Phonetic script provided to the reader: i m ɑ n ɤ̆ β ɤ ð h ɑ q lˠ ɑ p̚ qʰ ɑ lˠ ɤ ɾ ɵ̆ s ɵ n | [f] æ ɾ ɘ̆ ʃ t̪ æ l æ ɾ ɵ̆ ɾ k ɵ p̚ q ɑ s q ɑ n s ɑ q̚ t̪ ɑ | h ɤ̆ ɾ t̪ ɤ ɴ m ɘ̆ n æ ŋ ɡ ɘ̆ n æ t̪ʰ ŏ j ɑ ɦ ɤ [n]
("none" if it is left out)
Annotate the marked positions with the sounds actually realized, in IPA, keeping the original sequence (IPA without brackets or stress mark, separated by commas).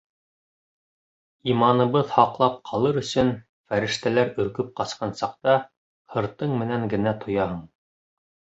f, ɴ